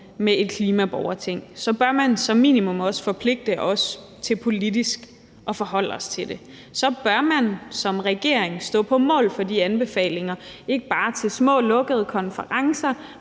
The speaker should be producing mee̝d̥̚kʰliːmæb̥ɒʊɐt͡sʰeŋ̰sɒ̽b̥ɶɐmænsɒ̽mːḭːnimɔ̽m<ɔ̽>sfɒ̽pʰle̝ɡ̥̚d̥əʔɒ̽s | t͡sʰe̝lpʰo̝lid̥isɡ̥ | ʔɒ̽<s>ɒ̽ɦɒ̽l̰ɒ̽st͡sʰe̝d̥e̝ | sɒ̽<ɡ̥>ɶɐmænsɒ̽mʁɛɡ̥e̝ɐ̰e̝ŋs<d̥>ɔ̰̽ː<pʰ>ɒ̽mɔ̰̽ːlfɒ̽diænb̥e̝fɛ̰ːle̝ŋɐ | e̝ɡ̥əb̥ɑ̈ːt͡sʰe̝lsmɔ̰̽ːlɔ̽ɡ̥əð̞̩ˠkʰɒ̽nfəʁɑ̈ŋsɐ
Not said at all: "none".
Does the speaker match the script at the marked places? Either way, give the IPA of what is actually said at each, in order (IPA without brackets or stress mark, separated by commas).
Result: ɒ̽, f, b̥, d̥, pʰ